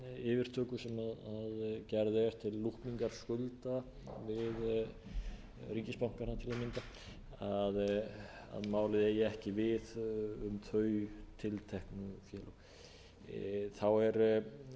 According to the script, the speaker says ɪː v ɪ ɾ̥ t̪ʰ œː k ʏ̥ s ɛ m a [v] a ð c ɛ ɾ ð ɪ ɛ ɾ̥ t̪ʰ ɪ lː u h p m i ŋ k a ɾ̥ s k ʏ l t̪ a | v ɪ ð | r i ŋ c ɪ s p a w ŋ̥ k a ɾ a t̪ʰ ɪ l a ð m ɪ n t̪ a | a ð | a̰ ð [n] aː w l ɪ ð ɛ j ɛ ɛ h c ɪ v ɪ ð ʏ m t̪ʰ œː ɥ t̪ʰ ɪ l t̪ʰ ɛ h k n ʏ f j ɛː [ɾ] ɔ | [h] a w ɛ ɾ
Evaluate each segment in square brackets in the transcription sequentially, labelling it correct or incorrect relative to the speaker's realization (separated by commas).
incorrect, incorrect, incorrect, incorrect